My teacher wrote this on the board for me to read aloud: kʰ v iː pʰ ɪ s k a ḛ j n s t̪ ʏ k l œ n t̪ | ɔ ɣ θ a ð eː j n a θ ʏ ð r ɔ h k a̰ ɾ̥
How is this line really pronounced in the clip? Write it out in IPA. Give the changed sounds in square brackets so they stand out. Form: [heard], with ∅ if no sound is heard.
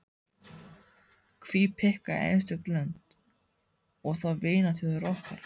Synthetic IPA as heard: kʰ v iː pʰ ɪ [h] k a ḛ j n s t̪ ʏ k l œ n t̪ | ɔ ɣ θ a [v] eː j n a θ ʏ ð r ɔ h k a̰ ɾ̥

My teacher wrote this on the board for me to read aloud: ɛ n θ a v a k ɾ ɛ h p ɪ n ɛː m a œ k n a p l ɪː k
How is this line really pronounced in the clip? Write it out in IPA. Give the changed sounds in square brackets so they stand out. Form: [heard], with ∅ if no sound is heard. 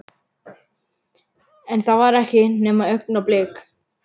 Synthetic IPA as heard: ɛ n θ a v a [∅] ɾ ɛ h [c] ɪ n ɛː m a œ k n a p l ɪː k

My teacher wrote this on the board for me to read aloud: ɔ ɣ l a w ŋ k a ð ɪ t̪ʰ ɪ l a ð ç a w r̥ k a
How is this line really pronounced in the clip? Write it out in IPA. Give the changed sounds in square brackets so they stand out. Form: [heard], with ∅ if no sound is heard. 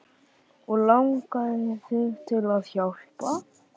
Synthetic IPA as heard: ɔ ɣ l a w ŋ k a [θ] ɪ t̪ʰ ɪ l a ð ç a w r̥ [p] a

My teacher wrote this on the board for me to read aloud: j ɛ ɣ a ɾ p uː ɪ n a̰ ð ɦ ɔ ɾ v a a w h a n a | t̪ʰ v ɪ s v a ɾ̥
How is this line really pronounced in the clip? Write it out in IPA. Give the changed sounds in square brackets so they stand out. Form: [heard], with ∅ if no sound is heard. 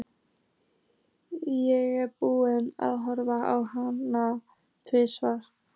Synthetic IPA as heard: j ɛ ɣ [ɛ] ɾ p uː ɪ n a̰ ð ɦ ɔ ɾ v a a w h a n a | t̪ʰ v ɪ s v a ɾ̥

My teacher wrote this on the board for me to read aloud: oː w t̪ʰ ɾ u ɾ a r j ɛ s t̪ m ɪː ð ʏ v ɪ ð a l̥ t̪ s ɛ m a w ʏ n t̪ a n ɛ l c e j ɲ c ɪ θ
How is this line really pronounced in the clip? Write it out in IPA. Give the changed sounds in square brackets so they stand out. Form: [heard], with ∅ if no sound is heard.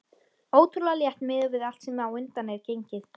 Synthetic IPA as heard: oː w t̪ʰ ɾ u [l] a [l] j ɛ [h] t̪ m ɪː ð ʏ v ɪ ð a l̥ t̪ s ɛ m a w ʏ n t̪ a n ɛ [ɾ] c e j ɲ c ɪ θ

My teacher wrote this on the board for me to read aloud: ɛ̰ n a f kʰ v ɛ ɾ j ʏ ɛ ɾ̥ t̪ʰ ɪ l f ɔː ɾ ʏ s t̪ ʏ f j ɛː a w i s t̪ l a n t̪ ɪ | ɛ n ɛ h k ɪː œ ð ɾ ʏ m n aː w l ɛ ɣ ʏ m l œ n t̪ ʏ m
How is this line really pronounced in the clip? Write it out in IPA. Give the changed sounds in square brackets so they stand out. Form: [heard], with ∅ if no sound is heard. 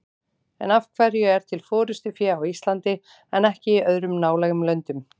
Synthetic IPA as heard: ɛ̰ n a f kʰ v ɛ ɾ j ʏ ɛ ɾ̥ t̪ʰ ɪ l f ɔː ɾ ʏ s t̪ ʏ f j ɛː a w i s t̪ l a n t̪ ɪ | ɛ n ɛ h [c] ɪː œ ð ɾ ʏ m n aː w l ɛ ɣ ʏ m l œ n t̪ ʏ m

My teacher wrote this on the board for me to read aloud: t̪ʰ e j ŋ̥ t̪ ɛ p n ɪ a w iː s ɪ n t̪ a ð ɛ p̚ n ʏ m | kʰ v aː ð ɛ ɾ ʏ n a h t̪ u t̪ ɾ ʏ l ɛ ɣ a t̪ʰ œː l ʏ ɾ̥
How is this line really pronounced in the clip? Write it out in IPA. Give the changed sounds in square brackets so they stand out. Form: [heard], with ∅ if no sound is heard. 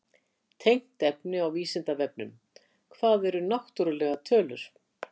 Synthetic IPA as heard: t̪ʰ e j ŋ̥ t̪ ɛ p n ɪ a w iː s ɪ n t̪ a [v] ɛ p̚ n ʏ m | kʰ v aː ð ɛ ɾ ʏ n a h t̪ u [∅] ɾ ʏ l ɛ ɣ a t̪ʰ œː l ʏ ɾ̥

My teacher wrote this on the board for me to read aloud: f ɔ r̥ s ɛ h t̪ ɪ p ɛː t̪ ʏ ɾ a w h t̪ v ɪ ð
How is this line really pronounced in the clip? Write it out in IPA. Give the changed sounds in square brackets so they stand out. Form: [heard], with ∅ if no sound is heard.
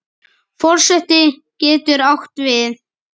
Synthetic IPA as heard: f ɔ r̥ s ɛ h t̪ ɪ [c] ɛː t̪ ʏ ɾ a w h t̪ v ɪ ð

